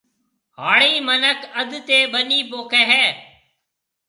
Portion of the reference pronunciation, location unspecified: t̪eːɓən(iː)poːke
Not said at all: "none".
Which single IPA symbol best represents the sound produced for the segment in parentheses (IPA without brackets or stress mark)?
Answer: iː